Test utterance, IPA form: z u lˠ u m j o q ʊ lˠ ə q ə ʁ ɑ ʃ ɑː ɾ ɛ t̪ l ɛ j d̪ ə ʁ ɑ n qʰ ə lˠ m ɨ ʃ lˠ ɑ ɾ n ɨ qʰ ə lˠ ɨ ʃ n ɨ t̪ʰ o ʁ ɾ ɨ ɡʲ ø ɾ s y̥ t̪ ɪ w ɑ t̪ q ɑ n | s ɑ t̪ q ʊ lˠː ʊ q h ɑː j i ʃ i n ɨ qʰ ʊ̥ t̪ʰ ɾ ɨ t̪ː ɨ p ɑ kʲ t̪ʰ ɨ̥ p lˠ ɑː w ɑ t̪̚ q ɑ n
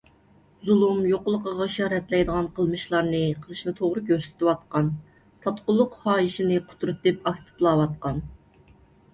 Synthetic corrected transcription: z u lˠ u m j o q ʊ lˠ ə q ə ʁ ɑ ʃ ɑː ɾ ɛ t̪ l ɛ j d̪ ə ʁ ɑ n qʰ ə lˠ m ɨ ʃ lˠ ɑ ɾ n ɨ qʰ ə lˠ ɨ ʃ n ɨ t̪ʰ o ʁ ɾ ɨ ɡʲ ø ɾ s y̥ t̪ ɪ w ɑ t̪ q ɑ n | s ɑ t̪ q ʊ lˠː ʊ q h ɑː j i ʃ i n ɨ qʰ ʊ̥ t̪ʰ ɾ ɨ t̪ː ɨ p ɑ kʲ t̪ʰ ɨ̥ p lˠ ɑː w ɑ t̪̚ q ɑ n